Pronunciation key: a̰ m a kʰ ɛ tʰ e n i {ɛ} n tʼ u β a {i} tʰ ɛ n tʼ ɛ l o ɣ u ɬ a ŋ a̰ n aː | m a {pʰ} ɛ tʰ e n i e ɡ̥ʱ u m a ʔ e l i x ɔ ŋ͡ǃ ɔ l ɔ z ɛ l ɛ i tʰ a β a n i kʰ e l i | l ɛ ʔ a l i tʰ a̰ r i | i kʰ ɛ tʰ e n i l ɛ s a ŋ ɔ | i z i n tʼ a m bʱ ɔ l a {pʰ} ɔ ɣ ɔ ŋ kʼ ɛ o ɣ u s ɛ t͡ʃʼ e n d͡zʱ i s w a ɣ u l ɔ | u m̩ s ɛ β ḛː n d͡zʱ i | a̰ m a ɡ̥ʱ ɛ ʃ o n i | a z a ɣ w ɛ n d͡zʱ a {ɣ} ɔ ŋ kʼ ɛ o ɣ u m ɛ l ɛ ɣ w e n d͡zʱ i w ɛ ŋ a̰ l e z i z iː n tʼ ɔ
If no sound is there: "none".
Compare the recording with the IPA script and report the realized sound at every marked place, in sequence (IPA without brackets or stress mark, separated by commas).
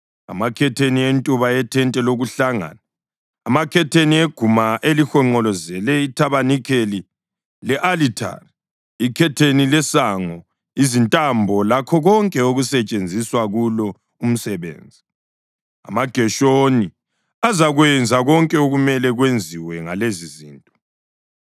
e, ɛ, kʰ, kʰ, ɣ